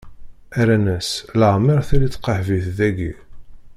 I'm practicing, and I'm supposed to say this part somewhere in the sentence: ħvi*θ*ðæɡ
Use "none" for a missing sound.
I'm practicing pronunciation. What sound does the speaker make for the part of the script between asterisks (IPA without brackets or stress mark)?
θ